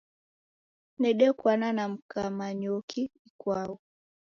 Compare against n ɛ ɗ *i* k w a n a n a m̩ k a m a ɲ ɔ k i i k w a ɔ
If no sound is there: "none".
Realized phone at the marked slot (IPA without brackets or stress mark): ɛ